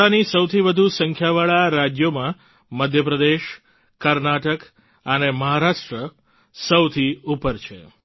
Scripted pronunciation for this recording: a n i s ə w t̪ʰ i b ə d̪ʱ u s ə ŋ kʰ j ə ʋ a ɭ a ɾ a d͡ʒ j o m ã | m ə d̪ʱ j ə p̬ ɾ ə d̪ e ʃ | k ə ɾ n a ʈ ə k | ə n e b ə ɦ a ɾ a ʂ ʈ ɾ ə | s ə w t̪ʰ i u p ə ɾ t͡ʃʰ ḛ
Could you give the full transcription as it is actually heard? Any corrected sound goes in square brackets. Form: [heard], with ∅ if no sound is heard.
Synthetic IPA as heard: a n i s ə w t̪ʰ i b ə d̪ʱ u s ə ŋ kʰ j [a] ʋ a ɭ a ɾ a d͡ʒ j o m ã | m ə d̪ʱ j ə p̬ ɾ ə d̪ e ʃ | k ə ɾ n a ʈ ə k | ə n e [m] ə ɦ a ɾ a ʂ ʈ ɾ ə | s ə w t̪ʰ i u p ə ɾ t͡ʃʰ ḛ